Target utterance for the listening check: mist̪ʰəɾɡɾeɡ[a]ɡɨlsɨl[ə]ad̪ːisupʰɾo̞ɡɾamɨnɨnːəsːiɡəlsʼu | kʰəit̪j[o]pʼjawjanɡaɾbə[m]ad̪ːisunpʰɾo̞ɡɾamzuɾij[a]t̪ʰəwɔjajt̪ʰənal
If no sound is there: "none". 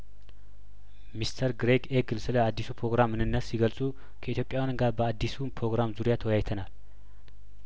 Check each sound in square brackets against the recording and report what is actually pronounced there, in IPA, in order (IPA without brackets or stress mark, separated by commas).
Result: e, ə, o, none, a